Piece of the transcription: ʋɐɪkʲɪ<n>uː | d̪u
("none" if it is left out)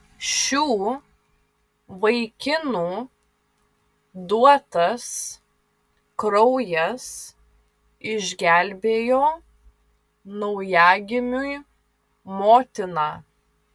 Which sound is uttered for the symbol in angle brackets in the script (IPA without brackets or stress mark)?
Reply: n